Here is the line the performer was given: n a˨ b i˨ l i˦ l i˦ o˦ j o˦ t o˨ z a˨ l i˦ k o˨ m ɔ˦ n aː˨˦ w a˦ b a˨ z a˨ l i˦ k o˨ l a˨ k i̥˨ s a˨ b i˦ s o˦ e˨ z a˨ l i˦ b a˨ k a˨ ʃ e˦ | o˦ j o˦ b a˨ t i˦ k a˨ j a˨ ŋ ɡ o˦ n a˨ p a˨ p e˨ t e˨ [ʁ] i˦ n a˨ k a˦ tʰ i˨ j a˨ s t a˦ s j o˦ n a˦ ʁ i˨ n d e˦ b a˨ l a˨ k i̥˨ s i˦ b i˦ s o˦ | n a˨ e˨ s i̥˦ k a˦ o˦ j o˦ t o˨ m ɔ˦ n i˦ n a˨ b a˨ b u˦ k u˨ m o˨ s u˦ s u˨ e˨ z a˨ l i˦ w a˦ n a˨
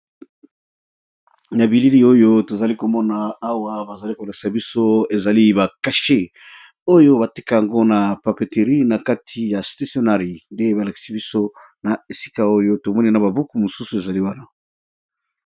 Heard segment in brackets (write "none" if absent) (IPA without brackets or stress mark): ʁ